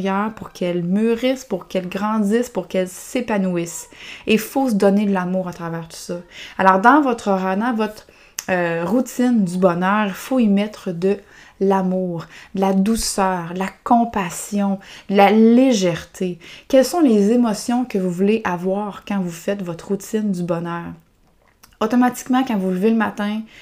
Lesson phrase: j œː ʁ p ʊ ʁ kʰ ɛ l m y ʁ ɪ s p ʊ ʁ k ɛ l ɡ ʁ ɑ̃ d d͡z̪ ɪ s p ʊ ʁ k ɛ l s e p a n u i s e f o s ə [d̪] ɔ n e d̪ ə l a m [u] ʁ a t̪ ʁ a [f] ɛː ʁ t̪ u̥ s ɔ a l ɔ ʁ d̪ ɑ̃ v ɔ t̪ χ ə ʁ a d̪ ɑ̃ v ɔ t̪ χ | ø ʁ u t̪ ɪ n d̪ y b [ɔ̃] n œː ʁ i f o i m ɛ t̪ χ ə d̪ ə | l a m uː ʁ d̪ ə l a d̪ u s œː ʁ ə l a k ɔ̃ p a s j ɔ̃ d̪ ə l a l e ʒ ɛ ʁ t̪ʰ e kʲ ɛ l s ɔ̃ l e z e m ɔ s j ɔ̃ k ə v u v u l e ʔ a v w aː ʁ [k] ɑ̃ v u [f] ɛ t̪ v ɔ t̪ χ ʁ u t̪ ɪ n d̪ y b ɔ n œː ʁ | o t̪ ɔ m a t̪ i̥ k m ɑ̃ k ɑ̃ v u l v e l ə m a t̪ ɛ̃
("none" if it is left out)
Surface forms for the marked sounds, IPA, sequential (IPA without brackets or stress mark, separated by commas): d̪, uː, v, ɔ, k, f